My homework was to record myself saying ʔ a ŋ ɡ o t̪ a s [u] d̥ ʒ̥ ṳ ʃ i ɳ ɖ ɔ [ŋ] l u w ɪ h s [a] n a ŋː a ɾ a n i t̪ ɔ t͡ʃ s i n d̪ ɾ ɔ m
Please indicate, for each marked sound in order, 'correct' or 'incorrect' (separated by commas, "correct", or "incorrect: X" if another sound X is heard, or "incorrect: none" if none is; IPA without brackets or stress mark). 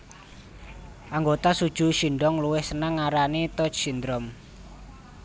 correct, correct, incorrect: ə